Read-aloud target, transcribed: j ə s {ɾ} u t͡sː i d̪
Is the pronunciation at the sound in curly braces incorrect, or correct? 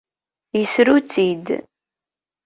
correct